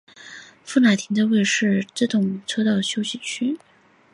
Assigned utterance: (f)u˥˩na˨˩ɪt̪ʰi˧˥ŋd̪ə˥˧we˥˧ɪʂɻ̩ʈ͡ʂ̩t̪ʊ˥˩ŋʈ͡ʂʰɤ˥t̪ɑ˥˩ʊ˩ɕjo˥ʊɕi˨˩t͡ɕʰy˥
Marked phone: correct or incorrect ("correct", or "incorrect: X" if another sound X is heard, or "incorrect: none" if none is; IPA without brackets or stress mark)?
correct